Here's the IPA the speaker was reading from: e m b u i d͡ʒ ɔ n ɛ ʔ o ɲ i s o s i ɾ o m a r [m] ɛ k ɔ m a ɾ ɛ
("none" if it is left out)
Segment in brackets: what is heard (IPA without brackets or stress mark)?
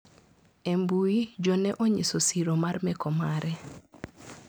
m